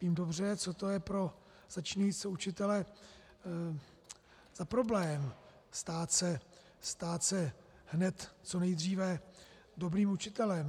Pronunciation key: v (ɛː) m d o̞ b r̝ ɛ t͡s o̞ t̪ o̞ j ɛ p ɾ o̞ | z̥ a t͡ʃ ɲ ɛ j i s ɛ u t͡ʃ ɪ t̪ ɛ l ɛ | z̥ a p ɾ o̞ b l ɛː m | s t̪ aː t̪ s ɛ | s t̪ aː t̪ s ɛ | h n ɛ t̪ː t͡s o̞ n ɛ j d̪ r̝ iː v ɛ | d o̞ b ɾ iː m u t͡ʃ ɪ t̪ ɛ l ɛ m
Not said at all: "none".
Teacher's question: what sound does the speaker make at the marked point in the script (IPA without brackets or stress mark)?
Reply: iː